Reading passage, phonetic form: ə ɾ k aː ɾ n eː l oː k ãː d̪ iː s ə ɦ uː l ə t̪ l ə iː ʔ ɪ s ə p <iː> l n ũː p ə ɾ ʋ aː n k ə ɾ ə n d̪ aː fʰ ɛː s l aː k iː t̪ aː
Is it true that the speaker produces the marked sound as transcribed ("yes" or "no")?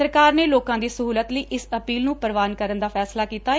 yes